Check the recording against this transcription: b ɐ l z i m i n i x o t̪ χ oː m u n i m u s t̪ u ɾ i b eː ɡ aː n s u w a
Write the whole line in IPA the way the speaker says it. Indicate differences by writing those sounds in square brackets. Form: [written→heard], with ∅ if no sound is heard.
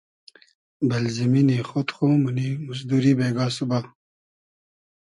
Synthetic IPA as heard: b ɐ l z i m i n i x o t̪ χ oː m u n i m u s [t̪→d̪] u ɾ i b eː ɡ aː [n→∅] s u [w→b] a